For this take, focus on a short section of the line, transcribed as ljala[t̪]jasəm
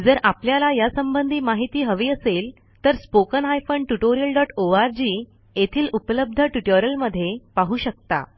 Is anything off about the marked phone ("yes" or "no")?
yes